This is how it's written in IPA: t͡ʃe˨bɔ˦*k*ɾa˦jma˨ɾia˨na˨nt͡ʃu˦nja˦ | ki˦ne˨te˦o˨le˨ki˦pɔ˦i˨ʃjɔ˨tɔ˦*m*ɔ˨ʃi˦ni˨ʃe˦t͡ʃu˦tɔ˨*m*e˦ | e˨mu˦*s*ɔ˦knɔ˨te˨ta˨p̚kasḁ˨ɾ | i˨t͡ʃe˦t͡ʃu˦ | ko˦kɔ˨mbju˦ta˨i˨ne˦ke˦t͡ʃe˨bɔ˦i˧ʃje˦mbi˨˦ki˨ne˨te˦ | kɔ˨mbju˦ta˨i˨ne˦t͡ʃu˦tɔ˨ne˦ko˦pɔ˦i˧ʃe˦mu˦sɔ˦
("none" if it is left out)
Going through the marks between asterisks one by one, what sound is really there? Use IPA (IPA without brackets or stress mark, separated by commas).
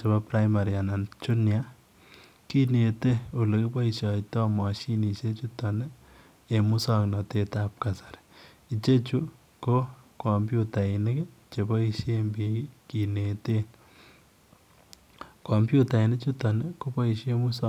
p, m, n, s